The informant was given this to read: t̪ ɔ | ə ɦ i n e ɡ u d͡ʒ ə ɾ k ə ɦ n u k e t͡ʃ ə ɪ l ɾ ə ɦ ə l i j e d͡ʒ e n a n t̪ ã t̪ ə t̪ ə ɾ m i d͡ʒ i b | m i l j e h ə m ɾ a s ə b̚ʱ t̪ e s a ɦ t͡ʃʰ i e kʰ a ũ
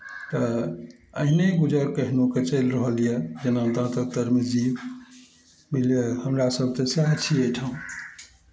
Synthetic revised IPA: t̪ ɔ | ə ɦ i n e ɡ u d͡ʒ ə ɾ k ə ɦ n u k e t͡ʃ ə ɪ l ɾ ə ɦ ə l i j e d͡ʒ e n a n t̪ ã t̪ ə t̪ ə ɾ m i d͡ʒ i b | m i l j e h ə m ɾ a s ə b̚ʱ t̪ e s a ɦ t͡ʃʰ i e ʈʰ a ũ